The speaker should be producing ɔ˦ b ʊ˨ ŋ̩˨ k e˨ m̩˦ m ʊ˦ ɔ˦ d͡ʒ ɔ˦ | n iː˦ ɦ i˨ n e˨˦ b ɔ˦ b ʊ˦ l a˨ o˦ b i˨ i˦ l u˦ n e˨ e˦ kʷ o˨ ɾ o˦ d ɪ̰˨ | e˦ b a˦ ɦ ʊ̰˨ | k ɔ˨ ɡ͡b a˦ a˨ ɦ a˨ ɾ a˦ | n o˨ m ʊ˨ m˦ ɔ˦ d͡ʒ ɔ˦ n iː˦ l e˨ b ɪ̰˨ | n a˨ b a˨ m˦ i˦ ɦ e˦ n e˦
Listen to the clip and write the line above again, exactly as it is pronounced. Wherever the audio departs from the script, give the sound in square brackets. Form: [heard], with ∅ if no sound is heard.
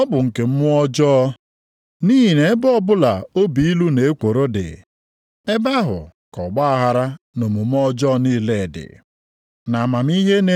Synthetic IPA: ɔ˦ b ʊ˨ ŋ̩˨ k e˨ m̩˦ m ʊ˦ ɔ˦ d͡ʒ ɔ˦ | n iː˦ ɦ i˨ n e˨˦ b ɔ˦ b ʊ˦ l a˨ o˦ b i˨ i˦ l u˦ n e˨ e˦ kʷ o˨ ɾ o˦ d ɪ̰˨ | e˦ b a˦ ɦ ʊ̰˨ | k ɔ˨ ɡ͡b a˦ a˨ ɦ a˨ ɾ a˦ | n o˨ m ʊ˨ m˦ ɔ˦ d͡ʒ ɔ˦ n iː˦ l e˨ [d] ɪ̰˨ | n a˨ [m] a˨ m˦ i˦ ɦ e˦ n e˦